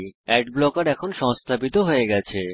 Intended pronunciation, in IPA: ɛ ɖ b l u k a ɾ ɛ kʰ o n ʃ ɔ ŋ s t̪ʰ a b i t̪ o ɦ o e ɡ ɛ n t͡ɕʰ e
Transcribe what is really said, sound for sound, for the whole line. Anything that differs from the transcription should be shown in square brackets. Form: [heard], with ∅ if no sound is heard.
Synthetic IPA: ɛ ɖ b l [ɔ] k a ɾ ɛ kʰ o n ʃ ɔ ŋ s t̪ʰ a b i t̪ o ɦ o e ɡ ɛ [∅] t͡ɕʰ e